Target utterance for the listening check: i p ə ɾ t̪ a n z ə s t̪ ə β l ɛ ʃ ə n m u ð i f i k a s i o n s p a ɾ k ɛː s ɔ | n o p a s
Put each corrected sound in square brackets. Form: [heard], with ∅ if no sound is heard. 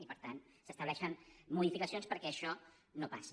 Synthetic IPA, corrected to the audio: i p ə ɾ t̪ a n [s] ə s t̪ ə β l ɛ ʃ ə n m u ð i f i k [ə] s i o n s p [ə] ɾ k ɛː [ʃ] ɔ | n o p a s